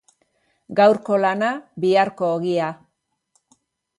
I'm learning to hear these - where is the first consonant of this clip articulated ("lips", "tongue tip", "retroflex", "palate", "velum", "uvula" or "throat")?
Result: velum